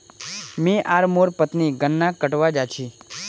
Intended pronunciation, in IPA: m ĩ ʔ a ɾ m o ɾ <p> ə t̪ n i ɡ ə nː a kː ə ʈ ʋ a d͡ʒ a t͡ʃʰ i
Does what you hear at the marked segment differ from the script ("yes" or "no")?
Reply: no